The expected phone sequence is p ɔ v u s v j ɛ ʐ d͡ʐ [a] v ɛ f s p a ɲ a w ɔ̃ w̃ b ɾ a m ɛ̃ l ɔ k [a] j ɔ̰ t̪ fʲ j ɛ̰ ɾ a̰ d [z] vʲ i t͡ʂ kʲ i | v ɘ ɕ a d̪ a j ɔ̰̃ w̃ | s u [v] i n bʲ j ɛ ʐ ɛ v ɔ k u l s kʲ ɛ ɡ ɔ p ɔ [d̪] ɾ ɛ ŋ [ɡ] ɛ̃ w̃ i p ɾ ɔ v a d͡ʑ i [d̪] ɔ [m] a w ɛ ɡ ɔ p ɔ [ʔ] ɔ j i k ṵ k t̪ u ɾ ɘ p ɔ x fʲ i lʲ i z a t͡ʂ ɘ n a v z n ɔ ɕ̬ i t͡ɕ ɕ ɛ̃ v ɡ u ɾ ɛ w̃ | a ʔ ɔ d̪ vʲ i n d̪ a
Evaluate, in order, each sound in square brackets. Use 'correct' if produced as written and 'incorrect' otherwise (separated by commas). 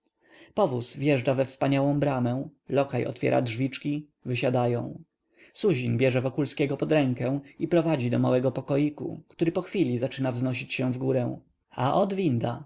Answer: correct, correct, incorrect, incorrect, correct, incorrect, correct, correct, incorrect